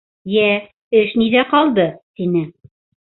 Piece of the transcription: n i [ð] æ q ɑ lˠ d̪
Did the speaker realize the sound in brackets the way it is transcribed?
yes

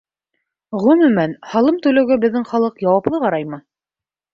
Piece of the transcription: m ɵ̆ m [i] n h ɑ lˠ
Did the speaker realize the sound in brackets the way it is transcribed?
no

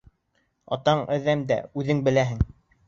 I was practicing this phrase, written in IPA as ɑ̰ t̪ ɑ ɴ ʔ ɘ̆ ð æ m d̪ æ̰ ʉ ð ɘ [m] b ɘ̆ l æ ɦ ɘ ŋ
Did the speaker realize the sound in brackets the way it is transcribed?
no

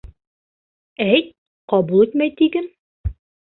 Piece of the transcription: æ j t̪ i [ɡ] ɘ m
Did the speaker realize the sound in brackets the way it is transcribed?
yes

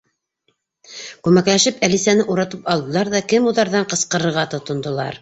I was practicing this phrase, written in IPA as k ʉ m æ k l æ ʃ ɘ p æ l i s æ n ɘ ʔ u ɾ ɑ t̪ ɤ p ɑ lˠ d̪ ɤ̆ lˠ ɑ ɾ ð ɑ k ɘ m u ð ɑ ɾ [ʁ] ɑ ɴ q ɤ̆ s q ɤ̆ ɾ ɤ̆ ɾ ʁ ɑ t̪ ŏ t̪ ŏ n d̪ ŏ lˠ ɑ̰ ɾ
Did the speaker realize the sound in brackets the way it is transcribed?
no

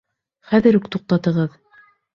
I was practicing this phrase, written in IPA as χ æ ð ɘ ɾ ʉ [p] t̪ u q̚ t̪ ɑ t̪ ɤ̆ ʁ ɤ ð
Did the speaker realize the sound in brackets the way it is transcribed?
no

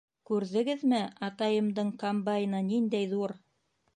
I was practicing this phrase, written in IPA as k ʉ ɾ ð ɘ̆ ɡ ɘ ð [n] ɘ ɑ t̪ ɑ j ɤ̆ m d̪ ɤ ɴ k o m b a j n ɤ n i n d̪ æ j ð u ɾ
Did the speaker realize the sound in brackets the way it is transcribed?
no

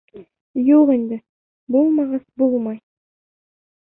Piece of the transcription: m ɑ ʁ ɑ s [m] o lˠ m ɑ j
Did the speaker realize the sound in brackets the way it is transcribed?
no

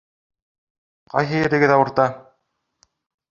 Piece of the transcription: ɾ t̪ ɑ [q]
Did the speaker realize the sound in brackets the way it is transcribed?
no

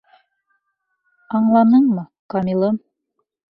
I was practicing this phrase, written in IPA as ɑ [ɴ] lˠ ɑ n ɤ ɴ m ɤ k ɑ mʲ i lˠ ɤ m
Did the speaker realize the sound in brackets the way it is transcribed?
yes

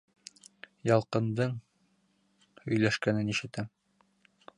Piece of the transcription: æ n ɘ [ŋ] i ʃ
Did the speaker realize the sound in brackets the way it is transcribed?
no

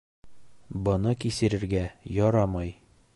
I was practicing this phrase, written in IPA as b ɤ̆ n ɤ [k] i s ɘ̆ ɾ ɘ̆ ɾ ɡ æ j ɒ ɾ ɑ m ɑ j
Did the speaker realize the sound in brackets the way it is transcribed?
yes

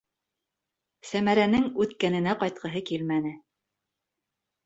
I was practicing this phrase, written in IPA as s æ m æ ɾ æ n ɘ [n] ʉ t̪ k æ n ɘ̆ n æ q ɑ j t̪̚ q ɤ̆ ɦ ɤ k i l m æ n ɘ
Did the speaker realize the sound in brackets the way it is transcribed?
no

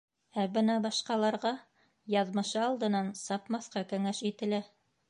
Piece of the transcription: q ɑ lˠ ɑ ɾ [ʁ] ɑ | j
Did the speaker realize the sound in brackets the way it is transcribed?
yes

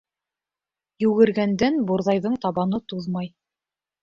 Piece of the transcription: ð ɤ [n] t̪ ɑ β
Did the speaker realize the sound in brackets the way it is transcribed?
no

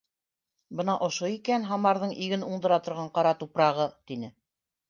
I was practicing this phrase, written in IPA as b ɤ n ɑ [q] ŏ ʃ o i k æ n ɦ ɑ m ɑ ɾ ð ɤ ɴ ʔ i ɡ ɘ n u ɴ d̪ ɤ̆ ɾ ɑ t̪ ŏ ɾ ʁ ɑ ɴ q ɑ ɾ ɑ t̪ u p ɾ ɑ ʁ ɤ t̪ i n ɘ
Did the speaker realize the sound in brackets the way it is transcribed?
no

